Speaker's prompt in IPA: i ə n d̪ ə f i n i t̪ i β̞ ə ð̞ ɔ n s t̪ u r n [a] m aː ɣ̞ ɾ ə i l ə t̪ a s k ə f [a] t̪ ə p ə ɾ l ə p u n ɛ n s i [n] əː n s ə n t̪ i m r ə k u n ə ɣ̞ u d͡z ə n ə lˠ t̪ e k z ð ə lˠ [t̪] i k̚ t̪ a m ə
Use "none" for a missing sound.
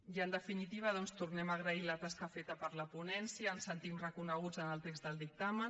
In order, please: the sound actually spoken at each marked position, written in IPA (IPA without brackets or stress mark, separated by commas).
ɛ, e, none, d̪